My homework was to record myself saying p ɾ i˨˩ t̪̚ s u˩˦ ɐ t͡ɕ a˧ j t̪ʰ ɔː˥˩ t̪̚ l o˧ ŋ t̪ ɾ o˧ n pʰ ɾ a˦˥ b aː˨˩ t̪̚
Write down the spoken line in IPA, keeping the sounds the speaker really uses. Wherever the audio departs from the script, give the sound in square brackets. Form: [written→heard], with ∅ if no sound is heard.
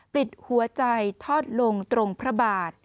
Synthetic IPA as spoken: p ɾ i˨˩ t̪̚ [s→h] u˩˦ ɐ t͡ɕ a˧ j t̪ʰ ɔː˥˩ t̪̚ l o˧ ŋ t̪ ɾ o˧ [n→ŋ] pʰ ɾ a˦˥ b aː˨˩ t̪̚